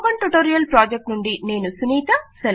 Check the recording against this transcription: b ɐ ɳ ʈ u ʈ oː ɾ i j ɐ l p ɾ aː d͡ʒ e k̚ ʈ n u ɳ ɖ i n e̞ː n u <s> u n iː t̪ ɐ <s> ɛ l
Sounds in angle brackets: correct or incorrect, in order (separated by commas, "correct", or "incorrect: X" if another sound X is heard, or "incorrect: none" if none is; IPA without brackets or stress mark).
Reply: correct, correct